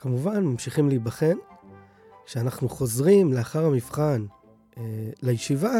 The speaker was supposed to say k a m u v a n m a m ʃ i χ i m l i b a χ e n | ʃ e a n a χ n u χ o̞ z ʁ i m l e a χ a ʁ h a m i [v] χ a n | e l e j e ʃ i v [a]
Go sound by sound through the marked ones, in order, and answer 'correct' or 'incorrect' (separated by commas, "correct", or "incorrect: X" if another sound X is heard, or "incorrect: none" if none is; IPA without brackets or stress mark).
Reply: incorrect: f, correct